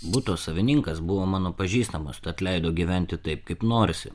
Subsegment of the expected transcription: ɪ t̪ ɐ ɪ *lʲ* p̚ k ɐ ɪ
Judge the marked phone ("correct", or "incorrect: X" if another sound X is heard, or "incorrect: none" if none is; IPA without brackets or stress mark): incorrect: none